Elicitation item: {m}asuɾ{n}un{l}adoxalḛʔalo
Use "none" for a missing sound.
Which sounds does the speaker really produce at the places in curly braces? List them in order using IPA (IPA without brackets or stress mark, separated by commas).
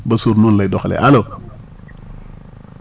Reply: b, n, l